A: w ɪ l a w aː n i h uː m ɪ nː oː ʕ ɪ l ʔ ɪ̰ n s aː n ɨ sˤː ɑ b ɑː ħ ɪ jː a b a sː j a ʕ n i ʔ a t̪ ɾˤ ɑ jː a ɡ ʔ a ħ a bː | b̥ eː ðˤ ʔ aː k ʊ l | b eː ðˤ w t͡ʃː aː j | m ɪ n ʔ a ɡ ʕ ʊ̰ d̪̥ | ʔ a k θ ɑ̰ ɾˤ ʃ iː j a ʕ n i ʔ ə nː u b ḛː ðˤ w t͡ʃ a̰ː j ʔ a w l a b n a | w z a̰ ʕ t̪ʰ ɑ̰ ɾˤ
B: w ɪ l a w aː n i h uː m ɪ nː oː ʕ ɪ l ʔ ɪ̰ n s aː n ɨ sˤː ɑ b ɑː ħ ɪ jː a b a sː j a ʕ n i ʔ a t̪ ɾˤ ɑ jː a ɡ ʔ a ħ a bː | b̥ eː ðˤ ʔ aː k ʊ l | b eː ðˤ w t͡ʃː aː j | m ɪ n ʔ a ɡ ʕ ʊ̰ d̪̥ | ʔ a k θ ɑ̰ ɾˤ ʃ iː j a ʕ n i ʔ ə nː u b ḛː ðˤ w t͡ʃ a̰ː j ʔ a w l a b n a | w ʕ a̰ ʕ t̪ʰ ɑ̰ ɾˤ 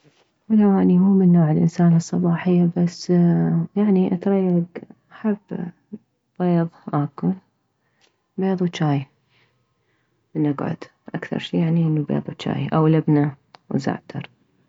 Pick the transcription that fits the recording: A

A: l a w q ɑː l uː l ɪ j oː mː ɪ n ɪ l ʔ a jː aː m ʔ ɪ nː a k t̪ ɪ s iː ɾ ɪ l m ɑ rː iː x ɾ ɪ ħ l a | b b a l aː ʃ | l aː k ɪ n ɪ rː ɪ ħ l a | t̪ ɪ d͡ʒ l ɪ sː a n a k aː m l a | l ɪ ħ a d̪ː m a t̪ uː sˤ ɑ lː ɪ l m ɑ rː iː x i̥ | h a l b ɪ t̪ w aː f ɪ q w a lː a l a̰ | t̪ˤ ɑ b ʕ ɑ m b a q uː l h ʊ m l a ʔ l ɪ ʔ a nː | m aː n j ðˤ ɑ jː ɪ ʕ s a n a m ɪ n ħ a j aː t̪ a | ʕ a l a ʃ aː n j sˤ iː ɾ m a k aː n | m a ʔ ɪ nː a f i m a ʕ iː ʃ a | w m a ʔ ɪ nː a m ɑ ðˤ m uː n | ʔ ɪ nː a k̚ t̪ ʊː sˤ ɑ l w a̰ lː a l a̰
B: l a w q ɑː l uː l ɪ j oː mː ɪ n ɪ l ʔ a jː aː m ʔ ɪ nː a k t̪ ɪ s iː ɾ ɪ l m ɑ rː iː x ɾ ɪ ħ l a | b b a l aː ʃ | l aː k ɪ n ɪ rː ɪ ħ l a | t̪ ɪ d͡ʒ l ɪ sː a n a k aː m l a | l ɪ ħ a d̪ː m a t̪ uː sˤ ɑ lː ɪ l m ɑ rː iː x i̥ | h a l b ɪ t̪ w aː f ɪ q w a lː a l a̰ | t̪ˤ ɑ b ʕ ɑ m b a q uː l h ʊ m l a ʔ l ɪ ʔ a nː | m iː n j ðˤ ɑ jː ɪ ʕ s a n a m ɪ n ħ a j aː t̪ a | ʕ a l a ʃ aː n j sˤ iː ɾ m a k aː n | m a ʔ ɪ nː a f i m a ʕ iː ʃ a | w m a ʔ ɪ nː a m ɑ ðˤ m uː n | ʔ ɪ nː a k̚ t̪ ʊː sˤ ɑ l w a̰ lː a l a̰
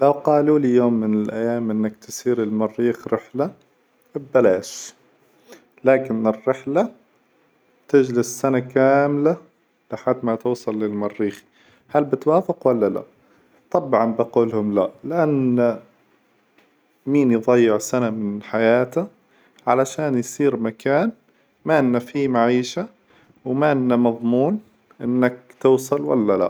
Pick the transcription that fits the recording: B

